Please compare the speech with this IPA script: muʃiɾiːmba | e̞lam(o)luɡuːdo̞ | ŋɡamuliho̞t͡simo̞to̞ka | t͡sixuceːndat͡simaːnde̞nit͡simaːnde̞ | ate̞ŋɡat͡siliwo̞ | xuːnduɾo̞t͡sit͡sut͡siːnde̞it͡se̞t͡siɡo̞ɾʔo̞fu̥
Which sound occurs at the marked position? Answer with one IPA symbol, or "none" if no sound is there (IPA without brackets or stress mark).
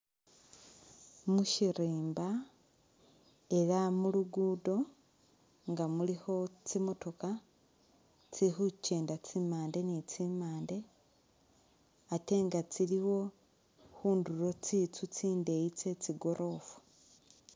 u